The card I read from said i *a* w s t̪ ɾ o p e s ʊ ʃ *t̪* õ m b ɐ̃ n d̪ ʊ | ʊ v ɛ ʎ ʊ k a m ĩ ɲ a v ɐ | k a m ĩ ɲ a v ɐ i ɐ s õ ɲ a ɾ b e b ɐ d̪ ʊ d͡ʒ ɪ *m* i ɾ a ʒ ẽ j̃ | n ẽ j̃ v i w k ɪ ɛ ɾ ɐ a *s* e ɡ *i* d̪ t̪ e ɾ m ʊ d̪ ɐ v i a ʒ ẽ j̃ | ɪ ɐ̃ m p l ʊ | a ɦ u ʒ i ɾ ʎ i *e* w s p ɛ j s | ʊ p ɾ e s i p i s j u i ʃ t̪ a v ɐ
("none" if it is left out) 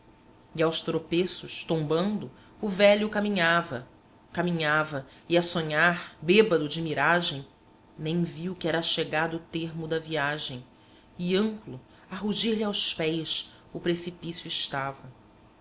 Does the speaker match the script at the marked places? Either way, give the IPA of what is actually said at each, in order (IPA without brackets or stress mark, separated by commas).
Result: a, t̪, m, ʃ, a, a